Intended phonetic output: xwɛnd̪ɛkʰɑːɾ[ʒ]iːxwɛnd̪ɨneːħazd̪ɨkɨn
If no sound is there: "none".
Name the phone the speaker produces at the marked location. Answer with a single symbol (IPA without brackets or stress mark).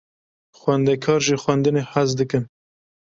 ʒ